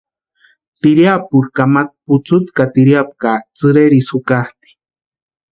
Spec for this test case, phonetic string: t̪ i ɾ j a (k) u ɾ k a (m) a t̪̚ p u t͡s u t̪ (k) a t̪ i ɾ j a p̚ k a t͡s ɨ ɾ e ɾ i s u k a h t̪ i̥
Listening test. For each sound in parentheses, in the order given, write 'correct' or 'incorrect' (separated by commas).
incorrect, correct, correct